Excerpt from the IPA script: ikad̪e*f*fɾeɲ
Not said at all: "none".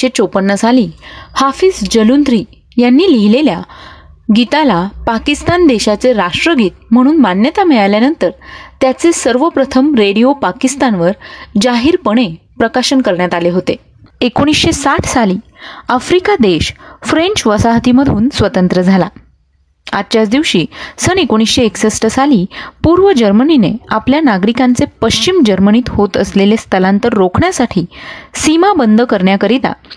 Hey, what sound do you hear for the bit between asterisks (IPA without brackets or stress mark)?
ɕ